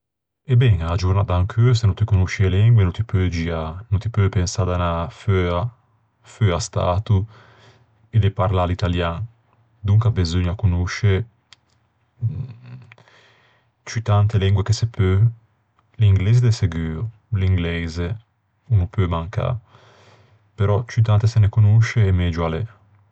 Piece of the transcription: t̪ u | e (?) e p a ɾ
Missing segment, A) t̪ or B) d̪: B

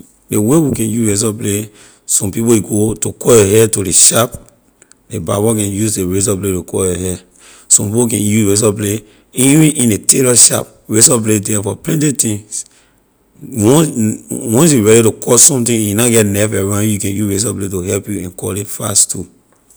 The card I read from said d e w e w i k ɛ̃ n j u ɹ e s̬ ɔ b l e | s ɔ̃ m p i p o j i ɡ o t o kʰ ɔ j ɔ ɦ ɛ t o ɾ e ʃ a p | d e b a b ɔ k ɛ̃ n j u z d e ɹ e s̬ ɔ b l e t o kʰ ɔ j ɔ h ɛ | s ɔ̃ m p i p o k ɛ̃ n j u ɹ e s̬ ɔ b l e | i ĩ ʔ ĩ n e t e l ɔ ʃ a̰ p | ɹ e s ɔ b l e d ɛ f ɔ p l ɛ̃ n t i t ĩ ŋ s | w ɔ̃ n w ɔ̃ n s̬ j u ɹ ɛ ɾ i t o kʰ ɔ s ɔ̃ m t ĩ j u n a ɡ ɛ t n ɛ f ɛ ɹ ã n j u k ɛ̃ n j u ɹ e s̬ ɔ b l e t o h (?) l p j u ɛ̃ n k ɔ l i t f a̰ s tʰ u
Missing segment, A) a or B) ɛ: B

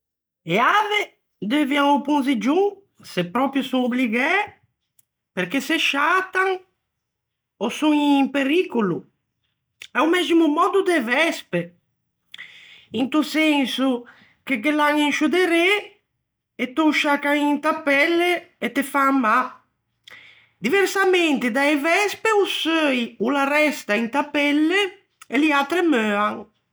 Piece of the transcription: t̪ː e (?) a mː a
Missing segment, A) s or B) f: B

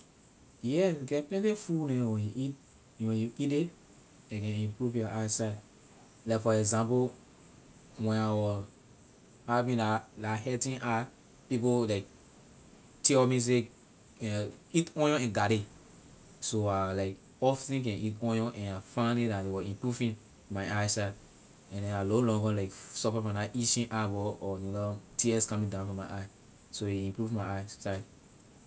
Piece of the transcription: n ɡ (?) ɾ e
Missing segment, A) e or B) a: B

